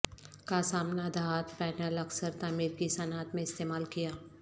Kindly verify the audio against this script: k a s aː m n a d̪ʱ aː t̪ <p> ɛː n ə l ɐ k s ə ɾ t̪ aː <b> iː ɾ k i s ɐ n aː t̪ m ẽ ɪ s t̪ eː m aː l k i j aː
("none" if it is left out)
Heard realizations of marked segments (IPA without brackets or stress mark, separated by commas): p, m